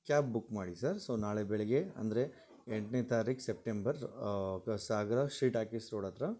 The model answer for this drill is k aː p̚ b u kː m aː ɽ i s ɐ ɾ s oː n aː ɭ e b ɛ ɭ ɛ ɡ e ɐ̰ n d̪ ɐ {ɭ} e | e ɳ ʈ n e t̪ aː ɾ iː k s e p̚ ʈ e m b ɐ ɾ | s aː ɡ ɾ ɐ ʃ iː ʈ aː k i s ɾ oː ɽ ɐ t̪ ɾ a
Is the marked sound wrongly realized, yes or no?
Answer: yes